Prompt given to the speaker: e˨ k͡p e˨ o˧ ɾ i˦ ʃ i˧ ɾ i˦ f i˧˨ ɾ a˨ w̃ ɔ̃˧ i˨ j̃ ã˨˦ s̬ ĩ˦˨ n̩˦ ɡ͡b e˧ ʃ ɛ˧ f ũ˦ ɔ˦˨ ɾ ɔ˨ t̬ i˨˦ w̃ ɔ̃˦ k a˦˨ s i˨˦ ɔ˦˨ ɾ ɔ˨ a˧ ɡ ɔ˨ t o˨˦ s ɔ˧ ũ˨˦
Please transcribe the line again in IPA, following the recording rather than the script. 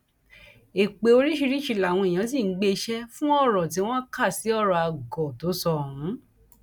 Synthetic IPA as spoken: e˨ k͡p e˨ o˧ ɾ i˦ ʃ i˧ ɾ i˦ ʃ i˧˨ l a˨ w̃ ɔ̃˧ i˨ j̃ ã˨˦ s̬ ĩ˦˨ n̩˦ ɡ͡b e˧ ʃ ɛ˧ f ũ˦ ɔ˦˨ ɾ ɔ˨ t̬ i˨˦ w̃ ɔ̃˦ k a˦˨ s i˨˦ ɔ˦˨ ɾ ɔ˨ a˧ ɡ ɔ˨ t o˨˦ s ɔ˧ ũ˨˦

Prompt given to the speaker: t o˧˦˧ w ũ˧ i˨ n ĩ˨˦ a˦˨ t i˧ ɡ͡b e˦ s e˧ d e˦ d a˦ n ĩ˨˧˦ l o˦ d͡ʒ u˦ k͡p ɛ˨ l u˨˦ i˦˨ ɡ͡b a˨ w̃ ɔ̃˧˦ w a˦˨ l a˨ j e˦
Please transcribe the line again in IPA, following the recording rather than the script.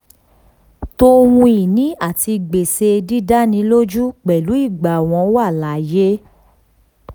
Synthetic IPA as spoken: t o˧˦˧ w ũ˧ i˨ n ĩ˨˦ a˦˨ t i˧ ɡ͡b e˨ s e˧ d i˦ d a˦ n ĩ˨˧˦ l o˦ d͡ʒ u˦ k͡p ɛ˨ l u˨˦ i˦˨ ɡ͡b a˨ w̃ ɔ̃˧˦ w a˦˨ l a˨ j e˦

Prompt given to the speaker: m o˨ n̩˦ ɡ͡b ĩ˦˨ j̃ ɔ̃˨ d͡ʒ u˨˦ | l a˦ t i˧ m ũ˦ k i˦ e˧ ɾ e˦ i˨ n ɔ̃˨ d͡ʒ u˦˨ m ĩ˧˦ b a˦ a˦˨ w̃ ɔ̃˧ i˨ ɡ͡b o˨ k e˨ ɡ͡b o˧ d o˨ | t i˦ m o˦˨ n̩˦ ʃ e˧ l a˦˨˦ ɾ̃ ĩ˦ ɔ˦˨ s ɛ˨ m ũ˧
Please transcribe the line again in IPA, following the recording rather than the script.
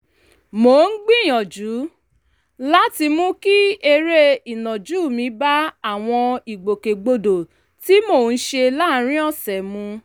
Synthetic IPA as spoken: m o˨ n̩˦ ɡ͡b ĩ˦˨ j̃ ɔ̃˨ d͡ʒ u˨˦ | l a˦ t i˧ m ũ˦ k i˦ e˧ ɾ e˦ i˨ n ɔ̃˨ d͡ʒ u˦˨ m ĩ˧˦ b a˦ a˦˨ w̃ ɔ̃˧ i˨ ɡ͡b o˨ k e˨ ɡ͡b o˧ d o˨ | t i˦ m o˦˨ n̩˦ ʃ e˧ l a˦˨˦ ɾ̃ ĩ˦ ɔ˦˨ s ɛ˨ m ũ˧

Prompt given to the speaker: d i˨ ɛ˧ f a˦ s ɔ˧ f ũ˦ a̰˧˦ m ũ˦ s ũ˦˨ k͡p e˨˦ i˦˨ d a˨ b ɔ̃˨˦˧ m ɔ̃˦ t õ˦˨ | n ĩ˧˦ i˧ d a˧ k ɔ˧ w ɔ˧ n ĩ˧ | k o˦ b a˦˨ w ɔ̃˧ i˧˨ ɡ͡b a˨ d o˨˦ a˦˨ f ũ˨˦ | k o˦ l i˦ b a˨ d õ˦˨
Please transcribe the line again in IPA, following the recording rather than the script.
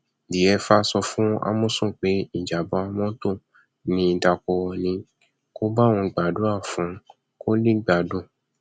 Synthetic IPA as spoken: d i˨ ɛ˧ f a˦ s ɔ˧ f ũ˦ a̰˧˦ m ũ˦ s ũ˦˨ k͡p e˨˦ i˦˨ d͡ʒ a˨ b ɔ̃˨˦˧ m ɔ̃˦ t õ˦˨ | n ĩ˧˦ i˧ d a˧ k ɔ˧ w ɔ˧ n ĩ˧ | k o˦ b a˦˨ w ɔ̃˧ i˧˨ ɡ͡b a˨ d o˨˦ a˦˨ f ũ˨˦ | k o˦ l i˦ ɡ͡b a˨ d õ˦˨

